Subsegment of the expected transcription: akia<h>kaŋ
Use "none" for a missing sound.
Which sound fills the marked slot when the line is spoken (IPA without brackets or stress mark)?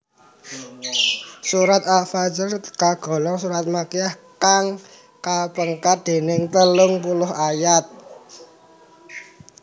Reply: h